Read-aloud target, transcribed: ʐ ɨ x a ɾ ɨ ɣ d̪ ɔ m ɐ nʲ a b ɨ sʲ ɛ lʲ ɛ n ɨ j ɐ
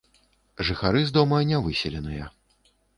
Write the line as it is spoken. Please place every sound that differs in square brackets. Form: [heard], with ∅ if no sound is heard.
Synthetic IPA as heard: ʐ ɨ x a ɾ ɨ [z] d̪ ɔ m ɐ nʲ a [v] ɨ sʲ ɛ lʲ ɛ n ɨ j ɐ